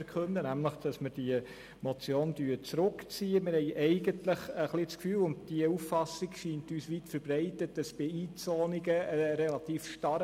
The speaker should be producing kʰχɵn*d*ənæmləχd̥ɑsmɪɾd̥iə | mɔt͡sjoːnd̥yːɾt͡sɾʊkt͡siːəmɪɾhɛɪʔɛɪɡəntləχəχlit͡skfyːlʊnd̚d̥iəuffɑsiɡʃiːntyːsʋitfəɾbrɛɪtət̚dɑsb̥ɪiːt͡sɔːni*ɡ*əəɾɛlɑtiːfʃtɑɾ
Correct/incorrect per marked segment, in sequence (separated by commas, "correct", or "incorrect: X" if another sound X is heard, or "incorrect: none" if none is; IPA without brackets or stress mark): correct, correct